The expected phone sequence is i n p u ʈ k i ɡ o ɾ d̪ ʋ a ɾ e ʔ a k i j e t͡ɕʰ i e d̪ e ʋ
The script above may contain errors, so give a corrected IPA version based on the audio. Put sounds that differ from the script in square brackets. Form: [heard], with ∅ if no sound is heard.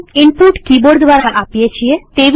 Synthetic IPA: i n p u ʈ k i [b] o ɾ d̪ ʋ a ɾ [a] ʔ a [p] i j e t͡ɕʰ i e [t̪] e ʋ